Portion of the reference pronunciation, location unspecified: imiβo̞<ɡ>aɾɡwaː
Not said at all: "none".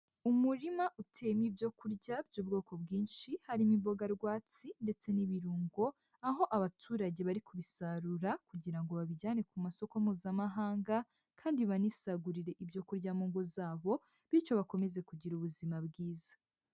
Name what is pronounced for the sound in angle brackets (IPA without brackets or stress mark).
ɡ